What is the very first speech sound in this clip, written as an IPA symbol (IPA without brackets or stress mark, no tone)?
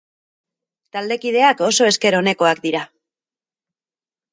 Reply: t̪